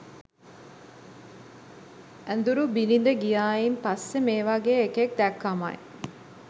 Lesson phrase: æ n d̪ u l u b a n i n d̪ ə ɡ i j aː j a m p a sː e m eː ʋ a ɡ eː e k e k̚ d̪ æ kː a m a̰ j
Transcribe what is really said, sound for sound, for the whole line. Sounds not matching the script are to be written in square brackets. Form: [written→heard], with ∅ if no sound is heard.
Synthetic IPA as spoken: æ n d̪ u [l→ɾ] u b [a→i] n i n d̪ ə ɡ i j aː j [a→i] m p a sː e m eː ʋ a ɡ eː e k e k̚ d̪ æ kː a m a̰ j